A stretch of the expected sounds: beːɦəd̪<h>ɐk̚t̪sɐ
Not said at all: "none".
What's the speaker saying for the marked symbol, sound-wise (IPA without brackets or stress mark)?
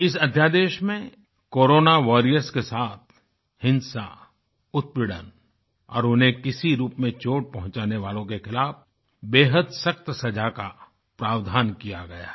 s